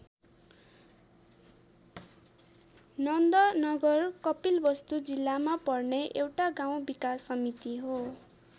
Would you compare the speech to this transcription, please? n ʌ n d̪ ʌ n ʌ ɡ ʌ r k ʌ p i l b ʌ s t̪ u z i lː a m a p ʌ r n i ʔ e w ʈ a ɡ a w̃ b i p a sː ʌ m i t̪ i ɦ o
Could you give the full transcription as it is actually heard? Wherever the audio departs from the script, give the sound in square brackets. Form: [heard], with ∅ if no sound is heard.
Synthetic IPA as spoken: n ʌ n d̪ ʌ n ʌ ɡ ʌ r k ʌ p i l b ʌ s t̪ u [d͡z] i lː a m a p ʌ r n [e] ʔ e w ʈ a ɡ a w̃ b i [k] a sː ʌ m i t̪ i ɦ o